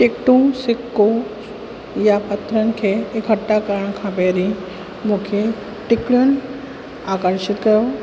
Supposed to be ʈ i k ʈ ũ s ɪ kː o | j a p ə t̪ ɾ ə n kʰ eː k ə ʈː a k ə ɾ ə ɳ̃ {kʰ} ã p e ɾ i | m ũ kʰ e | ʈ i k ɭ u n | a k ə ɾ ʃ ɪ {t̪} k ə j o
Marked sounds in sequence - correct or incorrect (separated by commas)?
correct, correct